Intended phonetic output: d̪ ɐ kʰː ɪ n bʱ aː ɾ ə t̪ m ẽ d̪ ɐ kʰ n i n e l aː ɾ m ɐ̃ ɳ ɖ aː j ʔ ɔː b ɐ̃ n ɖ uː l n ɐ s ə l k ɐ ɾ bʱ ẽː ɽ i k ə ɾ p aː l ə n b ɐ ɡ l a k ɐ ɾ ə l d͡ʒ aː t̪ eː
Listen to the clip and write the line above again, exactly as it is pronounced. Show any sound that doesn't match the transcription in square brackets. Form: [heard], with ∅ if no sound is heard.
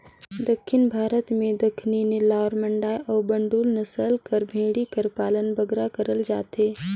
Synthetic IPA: d̪ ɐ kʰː ɪ n bʱ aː ɾ ə t̪ m ẽ d̪ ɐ kʰ n i n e l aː ɾ m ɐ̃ ɳ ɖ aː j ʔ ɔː b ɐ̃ [ɳ] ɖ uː l n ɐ s ə l k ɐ ɾ bʱ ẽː ɽ i k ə ɾ p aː l ə n b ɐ ɡ [ɾ] a k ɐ ɾ ə l d͡ʒ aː t̪ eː